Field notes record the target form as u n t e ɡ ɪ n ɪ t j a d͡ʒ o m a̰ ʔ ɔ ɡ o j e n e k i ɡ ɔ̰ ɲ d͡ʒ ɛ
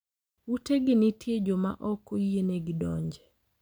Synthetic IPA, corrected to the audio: u t e ɡ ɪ n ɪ t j e d͡ʒ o m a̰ ʔ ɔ k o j e n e ɡ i d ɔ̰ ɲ d͡ʒ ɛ